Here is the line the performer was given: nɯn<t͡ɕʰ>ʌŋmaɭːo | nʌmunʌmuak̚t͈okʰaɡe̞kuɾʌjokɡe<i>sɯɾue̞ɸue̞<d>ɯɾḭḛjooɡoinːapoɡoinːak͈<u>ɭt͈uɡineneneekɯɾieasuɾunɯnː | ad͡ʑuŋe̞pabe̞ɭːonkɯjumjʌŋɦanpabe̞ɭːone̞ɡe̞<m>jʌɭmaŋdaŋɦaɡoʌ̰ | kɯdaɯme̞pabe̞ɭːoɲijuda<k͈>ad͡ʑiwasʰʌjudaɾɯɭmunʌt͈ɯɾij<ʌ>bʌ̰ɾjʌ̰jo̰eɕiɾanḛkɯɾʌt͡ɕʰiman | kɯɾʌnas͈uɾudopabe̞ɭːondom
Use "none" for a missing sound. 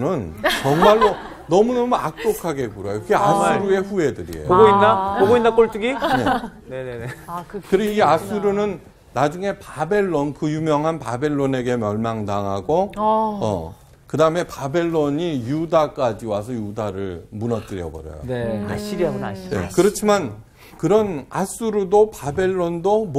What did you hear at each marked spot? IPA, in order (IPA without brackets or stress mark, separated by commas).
t͡ɕ, a, d, o, m, k͈, ʌ